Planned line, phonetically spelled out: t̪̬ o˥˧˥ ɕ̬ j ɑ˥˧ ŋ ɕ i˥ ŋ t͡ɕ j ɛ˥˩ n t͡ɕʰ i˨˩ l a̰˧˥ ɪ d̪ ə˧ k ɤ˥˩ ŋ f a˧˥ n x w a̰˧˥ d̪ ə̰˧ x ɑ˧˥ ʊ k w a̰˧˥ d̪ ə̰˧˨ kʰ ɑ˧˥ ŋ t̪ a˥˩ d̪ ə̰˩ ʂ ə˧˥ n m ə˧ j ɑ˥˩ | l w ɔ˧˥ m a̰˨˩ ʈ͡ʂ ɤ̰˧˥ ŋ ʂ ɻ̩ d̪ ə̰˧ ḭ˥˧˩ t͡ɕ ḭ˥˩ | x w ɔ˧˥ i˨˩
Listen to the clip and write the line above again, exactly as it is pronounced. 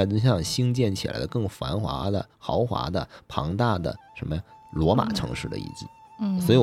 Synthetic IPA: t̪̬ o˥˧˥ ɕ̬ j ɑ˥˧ ŋ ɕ i˥ ŋ t͡ɕ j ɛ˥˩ n t͡ɕʰ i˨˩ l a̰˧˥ ɪ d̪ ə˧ k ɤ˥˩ ŋ f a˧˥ n x w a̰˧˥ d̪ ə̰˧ x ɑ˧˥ ʊ x w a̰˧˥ d̪ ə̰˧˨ pʰ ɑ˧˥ ŋ t̪ a˥˩ d̪ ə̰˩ ʂ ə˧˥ n m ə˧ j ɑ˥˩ | l w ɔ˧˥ m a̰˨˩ ʈ͡ʂʰ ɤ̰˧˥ ŋ ʂ ɻ̩ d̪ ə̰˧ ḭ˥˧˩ t͡ɕ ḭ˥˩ | s w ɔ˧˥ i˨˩